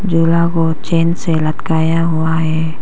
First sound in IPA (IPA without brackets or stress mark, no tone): d͡ʒ